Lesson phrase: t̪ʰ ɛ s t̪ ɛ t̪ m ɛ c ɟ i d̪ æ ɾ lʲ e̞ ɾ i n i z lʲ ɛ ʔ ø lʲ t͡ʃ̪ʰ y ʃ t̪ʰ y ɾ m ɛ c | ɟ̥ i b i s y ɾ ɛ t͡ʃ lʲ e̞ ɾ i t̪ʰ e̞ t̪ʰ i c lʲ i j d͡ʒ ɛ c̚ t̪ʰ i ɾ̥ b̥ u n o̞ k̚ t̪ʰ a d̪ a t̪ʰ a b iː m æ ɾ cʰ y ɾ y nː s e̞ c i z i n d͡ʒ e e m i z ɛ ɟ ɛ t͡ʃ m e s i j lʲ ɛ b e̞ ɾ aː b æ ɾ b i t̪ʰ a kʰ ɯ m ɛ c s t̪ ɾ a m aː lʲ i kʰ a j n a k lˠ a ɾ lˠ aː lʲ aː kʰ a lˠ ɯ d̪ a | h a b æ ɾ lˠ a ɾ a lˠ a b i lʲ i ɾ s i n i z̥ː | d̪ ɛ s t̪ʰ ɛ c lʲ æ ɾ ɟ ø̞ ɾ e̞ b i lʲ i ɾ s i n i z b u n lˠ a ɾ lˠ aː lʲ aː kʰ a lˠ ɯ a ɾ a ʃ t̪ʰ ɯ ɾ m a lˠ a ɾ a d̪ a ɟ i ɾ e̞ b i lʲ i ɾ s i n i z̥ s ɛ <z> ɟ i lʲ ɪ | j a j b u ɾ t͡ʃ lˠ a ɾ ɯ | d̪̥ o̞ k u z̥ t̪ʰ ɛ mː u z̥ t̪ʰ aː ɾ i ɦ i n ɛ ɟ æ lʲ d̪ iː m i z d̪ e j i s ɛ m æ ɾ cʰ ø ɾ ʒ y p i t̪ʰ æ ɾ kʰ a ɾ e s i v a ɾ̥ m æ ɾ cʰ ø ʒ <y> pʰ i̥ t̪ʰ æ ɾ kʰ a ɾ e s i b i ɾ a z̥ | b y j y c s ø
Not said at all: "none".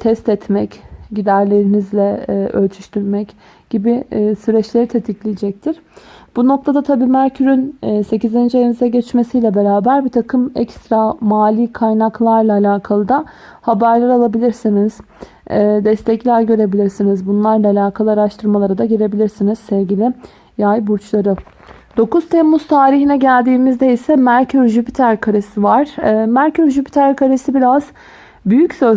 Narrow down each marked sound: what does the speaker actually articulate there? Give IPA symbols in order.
v, y

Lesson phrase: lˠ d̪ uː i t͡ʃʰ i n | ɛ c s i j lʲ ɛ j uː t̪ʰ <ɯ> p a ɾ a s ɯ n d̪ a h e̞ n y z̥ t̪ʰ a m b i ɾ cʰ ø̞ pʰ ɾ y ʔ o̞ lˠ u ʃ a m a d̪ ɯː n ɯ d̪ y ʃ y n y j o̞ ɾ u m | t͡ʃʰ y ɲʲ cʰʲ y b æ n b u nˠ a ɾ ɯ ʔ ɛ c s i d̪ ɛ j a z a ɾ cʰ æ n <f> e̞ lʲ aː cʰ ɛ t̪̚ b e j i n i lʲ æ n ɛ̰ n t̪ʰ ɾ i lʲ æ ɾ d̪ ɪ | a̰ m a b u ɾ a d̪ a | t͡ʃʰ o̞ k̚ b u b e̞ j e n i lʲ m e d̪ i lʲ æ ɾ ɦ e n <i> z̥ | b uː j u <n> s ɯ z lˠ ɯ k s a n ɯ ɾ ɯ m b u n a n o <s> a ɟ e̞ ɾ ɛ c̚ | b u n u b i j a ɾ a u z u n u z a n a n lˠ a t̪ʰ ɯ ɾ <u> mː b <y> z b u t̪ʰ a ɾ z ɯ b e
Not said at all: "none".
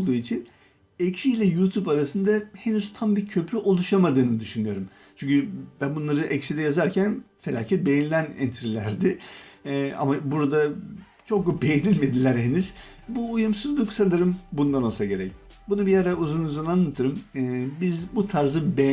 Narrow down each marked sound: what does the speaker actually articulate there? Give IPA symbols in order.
u, f, y, m, s, ɯ, i

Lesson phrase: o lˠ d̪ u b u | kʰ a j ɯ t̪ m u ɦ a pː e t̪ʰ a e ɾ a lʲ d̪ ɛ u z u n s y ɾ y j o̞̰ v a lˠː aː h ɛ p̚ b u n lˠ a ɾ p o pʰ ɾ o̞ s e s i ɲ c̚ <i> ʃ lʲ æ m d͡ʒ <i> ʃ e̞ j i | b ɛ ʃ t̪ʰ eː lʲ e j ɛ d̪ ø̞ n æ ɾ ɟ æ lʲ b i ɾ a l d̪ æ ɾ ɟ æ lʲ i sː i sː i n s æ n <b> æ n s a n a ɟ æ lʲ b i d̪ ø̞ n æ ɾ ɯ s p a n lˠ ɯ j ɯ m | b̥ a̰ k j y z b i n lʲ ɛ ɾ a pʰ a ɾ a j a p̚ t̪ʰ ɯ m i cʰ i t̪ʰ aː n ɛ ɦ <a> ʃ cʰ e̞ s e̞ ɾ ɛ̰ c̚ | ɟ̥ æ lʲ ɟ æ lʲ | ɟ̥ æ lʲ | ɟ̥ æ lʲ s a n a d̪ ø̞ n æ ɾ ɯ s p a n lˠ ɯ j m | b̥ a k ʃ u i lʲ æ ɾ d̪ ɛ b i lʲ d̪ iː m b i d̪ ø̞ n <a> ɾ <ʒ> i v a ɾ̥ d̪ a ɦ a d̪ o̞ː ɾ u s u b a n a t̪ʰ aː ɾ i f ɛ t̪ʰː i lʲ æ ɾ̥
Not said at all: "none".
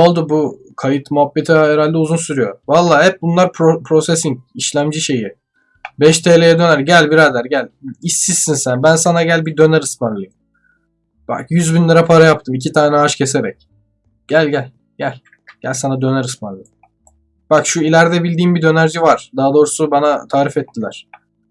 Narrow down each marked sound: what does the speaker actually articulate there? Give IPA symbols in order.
i, i, b, a, æ, d͡ʒ

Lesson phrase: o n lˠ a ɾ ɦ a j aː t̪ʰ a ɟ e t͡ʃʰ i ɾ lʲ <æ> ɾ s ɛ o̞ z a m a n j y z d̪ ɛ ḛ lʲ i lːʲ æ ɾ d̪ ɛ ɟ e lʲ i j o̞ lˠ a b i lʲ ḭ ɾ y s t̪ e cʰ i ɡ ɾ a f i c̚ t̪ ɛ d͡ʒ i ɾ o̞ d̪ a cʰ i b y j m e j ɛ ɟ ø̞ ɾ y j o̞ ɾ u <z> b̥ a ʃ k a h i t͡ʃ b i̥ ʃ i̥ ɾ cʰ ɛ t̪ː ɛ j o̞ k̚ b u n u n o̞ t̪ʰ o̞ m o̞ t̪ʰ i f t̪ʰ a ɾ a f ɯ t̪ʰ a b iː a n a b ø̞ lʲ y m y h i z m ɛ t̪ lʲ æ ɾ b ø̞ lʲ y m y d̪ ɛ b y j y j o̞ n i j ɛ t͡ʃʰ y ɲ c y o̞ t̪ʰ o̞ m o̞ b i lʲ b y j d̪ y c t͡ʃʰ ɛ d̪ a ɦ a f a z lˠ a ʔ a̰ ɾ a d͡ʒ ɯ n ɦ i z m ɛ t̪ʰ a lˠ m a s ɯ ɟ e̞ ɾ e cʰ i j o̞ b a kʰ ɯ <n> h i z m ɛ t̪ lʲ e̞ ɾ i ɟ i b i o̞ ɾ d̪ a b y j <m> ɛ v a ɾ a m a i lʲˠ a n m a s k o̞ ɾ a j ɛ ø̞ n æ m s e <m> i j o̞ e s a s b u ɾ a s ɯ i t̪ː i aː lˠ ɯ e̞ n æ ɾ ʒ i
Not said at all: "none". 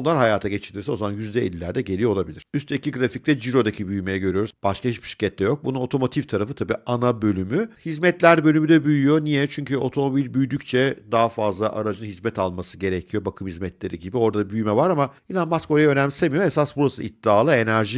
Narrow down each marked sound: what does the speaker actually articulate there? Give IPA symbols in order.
i, z, m, m, m

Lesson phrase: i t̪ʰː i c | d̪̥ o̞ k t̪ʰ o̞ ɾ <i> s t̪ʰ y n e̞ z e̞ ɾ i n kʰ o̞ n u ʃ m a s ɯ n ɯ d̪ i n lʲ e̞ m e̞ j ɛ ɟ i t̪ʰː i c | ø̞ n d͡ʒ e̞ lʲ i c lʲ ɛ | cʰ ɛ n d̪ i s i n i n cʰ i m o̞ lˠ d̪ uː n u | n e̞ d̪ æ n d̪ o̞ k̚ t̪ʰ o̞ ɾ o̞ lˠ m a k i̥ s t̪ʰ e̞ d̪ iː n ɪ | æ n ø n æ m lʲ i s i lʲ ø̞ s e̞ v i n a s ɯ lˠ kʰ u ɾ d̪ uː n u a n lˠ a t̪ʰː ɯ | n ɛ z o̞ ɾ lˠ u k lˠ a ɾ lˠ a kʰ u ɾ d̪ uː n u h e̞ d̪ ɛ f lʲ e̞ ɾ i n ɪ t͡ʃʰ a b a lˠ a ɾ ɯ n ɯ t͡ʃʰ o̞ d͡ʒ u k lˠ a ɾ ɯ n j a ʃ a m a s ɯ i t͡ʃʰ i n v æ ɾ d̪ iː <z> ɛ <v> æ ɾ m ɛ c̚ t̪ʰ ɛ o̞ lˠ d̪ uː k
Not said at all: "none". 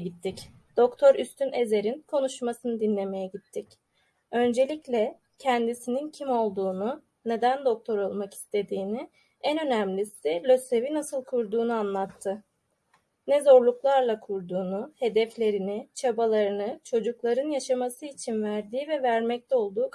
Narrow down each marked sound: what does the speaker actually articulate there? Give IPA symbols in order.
y, v, v

